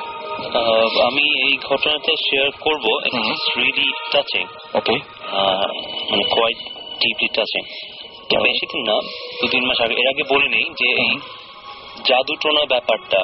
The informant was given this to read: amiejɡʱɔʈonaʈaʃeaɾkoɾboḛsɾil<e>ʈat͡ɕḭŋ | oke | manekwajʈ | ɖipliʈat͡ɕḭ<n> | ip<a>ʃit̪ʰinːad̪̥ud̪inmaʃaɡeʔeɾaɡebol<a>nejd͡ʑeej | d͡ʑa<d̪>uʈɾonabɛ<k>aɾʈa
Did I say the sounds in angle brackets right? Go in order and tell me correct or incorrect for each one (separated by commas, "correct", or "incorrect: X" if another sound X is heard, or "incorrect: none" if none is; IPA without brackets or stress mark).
incorrect: i, incorrect: ŋ, incorrect: e, incorrect: e, correct, incorrect: p